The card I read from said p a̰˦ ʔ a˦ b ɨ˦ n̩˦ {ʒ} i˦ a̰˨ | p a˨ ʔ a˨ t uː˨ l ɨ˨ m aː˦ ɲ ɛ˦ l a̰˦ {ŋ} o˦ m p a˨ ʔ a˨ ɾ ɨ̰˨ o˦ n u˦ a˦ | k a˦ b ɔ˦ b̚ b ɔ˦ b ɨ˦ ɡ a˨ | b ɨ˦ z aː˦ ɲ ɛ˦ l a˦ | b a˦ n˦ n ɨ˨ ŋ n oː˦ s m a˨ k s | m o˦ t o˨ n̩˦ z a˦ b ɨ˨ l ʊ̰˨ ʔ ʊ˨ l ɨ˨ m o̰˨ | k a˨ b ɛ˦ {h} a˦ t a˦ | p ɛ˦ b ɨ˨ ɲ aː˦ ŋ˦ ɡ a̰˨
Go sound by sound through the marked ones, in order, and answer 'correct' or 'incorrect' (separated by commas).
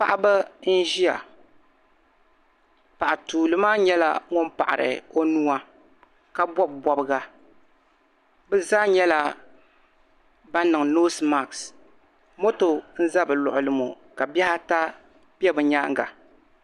correct, correct, correct